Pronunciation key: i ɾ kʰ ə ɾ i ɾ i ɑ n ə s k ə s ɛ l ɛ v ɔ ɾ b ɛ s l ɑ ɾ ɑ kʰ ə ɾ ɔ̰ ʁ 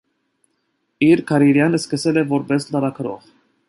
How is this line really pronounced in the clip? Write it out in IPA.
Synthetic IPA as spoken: i ɾ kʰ ɑ ɾ i ɾ j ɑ n ə s k ə s ɛ l ɛ v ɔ ɾ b ɛ s l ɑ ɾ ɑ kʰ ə ɾ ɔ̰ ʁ